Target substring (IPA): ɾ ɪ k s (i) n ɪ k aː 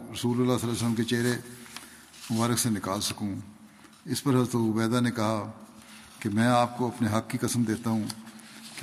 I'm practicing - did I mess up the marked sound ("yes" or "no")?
yes